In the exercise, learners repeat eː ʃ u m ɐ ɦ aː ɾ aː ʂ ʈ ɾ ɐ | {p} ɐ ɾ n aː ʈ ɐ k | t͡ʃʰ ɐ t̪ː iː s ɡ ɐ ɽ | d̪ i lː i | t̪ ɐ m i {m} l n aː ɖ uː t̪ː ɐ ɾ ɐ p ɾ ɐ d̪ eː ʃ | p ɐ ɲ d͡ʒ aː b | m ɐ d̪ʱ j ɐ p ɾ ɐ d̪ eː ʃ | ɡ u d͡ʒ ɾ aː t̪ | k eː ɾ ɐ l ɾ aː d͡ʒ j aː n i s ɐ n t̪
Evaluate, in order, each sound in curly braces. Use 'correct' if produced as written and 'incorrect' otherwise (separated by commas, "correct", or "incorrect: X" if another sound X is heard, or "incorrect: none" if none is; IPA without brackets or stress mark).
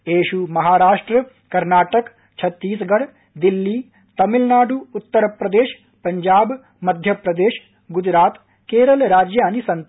incorrect: k, incorrect: none